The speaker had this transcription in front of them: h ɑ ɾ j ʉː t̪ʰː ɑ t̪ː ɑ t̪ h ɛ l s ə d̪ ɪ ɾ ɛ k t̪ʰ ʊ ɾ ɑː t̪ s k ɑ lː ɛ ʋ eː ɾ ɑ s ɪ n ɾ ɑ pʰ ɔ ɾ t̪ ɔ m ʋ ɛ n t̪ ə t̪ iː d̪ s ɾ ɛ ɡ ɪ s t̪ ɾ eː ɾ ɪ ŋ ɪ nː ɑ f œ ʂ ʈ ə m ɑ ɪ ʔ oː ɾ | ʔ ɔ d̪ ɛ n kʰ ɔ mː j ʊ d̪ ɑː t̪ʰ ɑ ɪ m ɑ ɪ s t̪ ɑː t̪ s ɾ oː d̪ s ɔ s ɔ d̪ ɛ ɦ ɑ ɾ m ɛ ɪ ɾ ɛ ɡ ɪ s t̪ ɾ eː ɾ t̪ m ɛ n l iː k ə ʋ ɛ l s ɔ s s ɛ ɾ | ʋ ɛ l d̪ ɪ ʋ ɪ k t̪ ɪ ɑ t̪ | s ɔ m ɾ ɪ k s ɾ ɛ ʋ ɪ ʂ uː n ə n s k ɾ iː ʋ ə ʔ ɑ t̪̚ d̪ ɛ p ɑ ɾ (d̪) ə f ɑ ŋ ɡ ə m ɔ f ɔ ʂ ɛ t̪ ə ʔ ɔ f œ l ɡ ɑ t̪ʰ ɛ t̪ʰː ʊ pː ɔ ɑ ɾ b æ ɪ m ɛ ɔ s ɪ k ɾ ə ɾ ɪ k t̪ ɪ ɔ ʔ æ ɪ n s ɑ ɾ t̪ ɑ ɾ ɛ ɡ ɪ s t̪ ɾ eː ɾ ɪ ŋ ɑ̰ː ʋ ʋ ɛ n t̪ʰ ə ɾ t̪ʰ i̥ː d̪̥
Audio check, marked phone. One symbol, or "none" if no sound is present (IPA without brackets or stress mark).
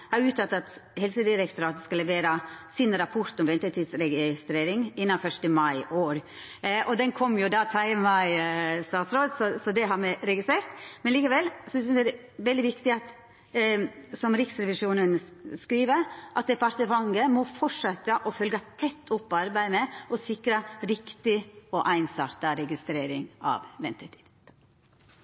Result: t̪